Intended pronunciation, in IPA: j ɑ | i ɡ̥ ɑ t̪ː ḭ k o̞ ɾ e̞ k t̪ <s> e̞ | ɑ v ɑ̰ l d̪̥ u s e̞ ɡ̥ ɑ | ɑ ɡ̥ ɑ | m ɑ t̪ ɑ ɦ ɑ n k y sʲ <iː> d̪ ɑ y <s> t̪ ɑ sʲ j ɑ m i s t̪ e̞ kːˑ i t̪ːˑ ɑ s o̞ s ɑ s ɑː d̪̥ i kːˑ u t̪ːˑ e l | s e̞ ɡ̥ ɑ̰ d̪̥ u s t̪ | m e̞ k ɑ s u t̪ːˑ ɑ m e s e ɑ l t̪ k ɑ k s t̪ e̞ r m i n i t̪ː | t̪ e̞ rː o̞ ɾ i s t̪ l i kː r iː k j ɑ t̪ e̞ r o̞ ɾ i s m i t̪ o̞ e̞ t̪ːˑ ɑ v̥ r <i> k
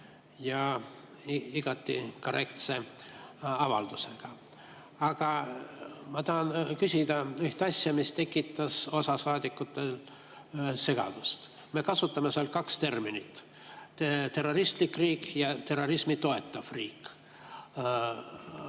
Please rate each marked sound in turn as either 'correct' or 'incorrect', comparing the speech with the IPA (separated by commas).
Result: correct, incorrect, incorrect, incorrect